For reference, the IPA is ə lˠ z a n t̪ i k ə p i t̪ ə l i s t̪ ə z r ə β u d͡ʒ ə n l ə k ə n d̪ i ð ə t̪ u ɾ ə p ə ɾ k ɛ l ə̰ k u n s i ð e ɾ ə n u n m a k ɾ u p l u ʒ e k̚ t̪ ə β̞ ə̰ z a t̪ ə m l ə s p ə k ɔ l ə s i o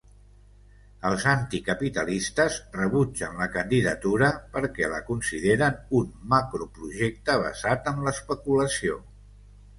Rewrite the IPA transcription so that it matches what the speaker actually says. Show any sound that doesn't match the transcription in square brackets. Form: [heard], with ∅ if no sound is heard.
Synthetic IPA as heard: ə lˠ z a n t̪ i k ə p i t̪ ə l i s t̪ ə z r ə β u d͡ʒ ə n l ə k ə n d̪ i ð ə t̪ u ɾ ə p ə ɾ k ɛ l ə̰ k u n s i ð e ɾ ə n u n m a k ɾ u p [ɾ] u ʒ e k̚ t̪ ə β̞ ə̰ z a t̪ ə m l ə s p ə k [u] l ə s i o